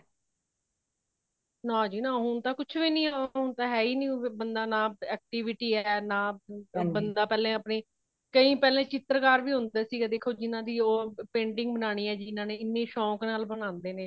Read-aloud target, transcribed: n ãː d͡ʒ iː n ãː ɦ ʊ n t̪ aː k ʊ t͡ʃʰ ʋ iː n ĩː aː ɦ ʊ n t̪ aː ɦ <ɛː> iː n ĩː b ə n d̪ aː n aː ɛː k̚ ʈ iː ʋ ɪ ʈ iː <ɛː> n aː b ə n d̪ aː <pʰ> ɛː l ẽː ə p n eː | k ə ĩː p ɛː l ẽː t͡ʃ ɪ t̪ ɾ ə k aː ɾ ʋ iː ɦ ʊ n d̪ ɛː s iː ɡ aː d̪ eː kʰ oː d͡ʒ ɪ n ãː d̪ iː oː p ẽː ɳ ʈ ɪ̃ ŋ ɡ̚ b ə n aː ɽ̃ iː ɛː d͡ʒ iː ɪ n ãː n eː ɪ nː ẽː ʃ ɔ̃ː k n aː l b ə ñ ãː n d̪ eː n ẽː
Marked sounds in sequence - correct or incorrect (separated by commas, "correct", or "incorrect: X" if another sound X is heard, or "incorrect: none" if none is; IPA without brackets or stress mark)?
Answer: correct, correct, incorrect: p